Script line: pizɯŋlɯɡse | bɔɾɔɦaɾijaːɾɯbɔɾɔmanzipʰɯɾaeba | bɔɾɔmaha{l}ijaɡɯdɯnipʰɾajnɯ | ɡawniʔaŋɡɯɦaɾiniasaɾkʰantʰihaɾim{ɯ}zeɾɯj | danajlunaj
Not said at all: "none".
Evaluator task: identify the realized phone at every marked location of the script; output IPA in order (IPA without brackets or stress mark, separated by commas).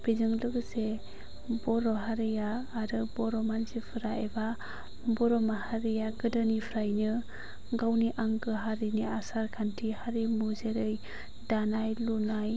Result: ɾ, u